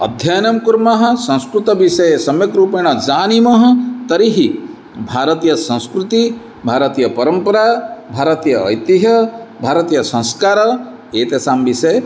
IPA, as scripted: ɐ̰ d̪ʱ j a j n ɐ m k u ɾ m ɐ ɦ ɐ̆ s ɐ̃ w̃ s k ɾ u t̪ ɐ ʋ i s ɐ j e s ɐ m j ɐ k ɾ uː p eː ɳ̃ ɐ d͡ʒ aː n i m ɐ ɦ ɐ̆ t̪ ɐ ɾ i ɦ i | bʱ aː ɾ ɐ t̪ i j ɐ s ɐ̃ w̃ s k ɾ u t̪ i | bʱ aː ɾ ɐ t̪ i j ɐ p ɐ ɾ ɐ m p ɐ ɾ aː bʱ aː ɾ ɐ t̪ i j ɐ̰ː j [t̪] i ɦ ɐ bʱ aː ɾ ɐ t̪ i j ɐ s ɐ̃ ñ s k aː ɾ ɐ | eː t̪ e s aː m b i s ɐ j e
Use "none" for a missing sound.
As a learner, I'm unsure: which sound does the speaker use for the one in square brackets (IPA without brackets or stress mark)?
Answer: t̪